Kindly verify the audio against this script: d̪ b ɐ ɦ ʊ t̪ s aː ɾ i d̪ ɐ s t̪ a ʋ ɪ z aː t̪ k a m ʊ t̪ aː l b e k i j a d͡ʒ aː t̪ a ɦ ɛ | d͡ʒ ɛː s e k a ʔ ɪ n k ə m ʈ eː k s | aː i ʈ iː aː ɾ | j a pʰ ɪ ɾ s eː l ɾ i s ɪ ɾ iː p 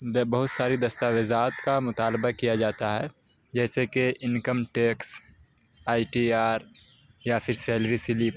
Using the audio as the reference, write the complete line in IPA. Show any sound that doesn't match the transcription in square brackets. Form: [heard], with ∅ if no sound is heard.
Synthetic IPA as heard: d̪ b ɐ ɦ ʊ t̪ s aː ɾ i d̪ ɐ s t̪ a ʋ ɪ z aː t̪ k a m ʊ t̪ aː l b [a] k i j a d͡ʒ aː t̪ a ɦ ɛ | d͡ʒ ɛː s e k [e] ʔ ɪ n k ə m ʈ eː k s | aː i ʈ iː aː ɾ | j a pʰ ɪ ɾ s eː l ɾ i s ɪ [l] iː p

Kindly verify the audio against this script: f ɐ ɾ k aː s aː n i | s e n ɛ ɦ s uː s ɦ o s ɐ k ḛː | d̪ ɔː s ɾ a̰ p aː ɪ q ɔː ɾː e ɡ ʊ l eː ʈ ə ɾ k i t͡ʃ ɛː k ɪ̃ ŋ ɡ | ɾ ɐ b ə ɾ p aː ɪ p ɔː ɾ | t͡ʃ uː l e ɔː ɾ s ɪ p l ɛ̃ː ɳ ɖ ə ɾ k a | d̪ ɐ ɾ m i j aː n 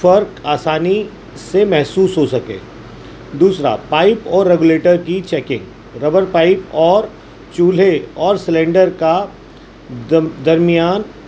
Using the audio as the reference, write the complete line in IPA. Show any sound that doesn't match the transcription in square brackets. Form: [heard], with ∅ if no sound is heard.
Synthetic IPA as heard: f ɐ ɾ k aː s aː n i | s e [m] ɛ ɦ s uː s ɦ o s ɐ k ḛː | d̪ [uː] s ɾ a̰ p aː ɪ [p] ɔː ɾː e ɡ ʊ l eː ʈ ə ɾ k i t͡ʃ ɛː k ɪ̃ ŋ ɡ | ɾ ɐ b ə ɾ p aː ɪ p ɔː ɾ | t͡ʃ uː l e ɔː ɾ s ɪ [∅] l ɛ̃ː ɳ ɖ ə ɾ k a | d̪ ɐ ɾ m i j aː n

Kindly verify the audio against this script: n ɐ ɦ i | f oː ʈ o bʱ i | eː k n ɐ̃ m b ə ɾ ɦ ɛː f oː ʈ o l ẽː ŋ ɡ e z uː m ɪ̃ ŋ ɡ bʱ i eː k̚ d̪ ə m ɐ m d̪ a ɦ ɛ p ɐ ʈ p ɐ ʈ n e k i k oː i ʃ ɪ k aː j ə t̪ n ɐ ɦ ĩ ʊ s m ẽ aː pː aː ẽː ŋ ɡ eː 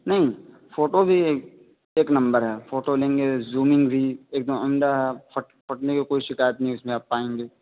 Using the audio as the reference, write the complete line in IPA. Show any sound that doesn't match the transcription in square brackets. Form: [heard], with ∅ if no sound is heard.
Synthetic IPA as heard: n ɐ ɦ [ĩ] | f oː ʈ o bʱ i | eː k n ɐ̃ m b ə ɾ ɦ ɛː f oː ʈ o l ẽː ŋ ɡ e z uː m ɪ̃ ŋ ɡ bʱ i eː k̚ d̪ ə m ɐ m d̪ a ɦ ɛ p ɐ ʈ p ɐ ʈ n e k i k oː i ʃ ɪ k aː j ə t̪ n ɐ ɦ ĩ ʊ s m ẽ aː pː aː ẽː ŋ ɡ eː

